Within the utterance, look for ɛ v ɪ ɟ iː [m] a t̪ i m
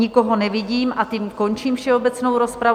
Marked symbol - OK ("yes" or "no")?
yes